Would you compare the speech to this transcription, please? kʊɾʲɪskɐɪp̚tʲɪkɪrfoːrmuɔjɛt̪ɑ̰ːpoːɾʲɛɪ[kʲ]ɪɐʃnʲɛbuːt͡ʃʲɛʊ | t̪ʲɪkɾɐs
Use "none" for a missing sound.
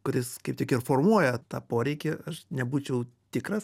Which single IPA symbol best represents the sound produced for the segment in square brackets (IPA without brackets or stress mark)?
kʲ